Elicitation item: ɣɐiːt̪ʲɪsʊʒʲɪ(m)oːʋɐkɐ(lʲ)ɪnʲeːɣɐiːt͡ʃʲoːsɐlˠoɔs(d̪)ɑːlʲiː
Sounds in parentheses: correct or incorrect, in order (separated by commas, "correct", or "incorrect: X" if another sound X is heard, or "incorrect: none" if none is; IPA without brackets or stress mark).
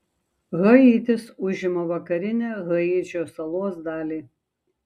correct, incorrect: ɾʲ, correct